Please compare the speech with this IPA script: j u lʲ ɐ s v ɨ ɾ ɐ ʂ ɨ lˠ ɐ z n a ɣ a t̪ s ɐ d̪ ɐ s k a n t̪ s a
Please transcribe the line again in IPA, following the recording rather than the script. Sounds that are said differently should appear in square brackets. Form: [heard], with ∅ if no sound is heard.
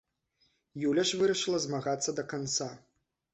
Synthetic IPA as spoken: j u lʲ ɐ [ʂ] v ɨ ɾ ɐ ʂ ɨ lˠ ɐ z [m] a ɣ a t̪ [sː] ɐ d̪ ɐ [∅] k a n t̪ s a